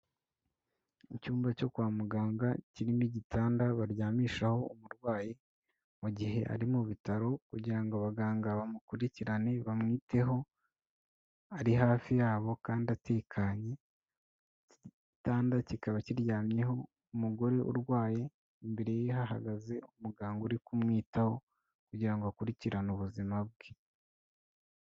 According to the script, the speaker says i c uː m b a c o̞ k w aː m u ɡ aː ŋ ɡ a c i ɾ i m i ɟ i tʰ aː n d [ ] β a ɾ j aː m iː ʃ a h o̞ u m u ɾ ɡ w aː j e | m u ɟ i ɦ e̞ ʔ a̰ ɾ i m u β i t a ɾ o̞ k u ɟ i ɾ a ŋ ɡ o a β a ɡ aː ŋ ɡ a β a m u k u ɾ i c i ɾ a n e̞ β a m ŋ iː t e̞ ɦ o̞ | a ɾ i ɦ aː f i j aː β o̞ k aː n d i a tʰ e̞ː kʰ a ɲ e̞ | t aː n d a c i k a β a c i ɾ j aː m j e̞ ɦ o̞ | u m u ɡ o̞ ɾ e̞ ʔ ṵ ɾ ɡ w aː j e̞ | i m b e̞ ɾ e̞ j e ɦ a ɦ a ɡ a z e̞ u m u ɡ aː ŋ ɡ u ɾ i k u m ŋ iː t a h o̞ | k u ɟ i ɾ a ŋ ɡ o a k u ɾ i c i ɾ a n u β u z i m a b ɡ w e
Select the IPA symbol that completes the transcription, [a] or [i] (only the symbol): a